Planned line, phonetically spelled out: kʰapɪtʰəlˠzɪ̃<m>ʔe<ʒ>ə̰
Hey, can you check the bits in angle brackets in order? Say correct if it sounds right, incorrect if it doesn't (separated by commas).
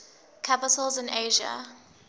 incorrect, correct